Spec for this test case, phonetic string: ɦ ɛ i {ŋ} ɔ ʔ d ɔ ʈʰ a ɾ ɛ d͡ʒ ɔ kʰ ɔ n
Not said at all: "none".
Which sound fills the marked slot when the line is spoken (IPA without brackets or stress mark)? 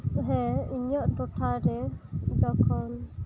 ɲ